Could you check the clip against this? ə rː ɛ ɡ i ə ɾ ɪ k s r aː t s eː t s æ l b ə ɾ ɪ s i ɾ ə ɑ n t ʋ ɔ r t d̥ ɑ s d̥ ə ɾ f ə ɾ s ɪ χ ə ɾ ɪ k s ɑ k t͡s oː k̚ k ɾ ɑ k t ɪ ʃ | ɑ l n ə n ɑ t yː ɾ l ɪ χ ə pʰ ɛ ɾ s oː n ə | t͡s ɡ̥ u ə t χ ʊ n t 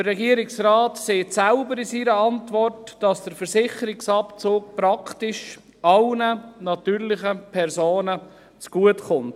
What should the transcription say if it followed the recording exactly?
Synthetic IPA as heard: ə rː ɛ ɡ i ə ɾ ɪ k s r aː t s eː t s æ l b ə ɾ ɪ s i ɾ ə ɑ n t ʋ ɔ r t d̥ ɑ s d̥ ə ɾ f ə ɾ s ɪ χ ə ɾ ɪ k s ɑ p t͡s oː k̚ p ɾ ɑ k t ɪ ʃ | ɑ l n ə n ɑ t yː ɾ l ɪ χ ə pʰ ɛ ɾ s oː n ə | t͡s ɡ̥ u ə t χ ʊ n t